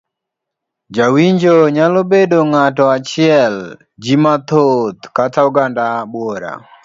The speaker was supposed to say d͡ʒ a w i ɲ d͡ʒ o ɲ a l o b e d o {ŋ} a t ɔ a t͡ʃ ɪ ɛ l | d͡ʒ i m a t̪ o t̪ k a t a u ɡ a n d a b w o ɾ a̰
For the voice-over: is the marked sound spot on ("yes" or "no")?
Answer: yes